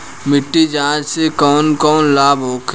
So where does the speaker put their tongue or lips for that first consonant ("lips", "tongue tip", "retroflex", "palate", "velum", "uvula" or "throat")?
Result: lips